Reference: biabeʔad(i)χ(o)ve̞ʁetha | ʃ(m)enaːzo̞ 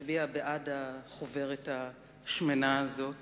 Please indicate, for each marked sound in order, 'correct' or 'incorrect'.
incorrect: a, correct, correct

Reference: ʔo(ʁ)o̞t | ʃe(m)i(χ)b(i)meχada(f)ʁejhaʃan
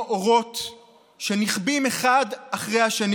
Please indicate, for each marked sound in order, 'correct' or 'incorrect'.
correct, incorrect: n, correct, correct, incorrect: χ

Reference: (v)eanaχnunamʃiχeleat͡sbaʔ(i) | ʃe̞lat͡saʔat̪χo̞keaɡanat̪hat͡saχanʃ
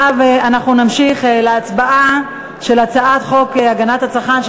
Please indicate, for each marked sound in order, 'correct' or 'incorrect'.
correct, incorrect: a

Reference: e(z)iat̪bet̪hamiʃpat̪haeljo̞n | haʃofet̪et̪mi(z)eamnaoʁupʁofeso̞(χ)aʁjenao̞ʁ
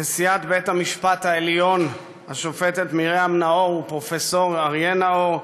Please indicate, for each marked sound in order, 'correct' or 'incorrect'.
incorrect: s, incorrect: ʁ, incorrect: ʁ

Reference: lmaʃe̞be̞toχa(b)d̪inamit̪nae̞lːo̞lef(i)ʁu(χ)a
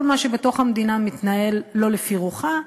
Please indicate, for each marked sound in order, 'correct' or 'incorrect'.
incorrect: m, correct, correct

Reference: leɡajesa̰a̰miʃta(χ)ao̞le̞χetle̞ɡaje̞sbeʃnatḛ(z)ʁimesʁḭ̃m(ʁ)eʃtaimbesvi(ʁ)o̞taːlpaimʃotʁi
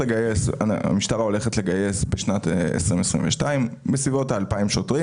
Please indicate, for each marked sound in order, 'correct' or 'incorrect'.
incorrect: ʁ, incorrect: s, incorrect: v, incorrect: v

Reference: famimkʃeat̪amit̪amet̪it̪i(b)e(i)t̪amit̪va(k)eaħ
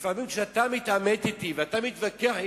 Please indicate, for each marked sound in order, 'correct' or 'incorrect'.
incorrect: v, incorrect: a, correct

